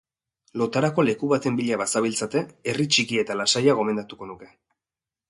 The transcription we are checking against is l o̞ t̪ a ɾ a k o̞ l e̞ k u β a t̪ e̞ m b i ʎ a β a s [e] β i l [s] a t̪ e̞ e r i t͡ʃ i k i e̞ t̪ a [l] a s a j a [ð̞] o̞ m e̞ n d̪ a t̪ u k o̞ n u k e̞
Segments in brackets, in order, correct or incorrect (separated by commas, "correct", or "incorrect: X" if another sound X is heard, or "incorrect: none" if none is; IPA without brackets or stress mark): incorrect: a, incorrect: t͡s, correct, incorrect: ɣ̞